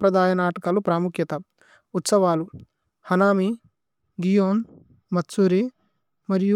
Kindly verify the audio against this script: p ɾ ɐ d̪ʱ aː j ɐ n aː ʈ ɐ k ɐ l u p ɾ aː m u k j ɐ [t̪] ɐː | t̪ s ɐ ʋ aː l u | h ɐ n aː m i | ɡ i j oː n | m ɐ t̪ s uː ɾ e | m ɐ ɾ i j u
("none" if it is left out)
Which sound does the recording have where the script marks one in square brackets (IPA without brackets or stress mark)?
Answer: t̪